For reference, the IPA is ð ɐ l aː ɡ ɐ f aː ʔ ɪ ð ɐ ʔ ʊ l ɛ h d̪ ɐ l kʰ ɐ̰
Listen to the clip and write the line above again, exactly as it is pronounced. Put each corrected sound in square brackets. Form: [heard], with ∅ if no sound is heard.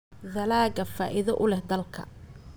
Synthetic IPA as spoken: ð ɐ l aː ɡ ɐ f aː ʔ ɪ ð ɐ ʔ ʊ l ɛ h d̪ ɐ l kʰ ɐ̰